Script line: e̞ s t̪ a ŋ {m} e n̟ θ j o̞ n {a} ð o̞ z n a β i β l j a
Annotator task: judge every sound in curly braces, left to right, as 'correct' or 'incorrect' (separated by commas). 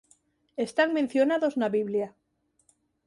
correct, correct